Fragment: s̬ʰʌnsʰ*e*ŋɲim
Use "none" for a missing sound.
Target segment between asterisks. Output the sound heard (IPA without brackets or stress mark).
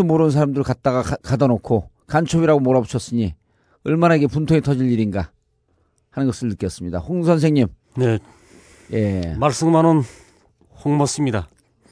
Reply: e